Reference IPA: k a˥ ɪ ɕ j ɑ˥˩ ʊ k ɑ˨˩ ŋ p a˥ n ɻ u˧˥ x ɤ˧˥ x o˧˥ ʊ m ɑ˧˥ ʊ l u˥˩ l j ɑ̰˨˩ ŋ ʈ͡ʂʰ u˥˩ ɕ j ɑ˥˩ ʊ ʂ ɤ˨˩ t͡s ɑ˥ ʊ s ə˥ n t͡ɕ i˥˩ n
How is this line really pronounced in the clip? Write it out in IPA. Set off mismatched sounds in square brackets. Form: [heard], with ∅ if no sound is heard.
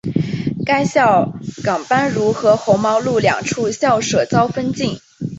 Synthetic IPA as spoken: k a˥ ɪ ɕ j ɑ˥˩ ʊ k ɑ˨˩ ŋ p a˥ n ɻ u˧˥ x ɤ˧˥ x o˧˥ ʊ m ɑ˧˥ ʊ l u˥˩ l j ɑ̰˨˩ ŋ ʈ͡ʂʰ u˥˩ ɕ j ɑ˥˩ ʊ ʂ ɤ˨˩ t͡s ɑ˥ ʊ [f] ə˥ n t͡ɕ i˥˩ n